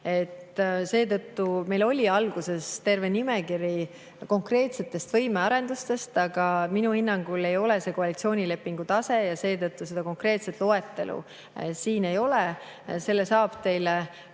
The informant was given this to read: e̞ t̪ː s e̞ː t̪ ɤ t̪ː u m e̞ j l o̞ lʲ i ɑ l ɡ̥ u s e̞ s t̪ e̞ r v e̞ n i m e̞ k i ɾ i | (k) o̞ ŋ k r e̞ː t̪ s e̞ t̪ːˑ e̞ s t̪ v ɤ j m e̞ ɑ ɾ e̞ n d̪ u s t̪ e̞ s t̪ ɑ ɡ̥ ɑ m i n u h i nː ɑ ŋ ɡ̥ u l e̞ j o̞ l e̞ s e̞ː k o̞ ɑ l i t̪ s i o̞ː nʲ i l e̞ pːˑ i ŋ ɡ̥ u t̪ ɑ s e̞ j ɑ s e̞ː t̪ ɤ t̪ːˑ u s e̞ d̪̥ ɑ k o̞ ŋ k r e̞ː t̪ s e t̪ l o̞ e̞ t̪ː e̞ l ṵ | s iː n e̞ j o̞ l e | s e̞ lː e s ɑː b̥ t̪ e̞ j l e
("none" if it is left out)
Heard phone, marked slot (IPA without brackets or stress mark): k